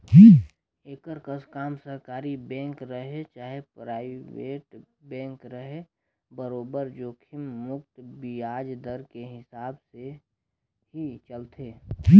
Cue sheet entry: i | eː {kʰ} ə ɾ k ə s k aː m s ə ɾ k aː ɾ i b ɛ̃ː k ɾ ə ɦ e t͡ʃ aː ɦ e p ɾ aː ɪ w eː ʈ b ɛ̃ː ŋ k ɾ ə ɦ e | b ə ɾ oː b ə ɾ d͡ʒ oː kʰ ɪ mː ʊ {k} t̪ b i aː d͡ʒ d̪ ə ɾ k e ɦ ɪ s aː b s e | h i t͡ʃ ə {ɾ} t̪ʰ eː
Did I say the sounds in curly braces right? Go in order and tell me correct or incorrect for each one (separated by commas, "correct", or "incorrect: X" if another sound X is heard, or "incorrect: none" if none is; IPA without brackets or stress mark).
incorrect: k, correct, incorrect: l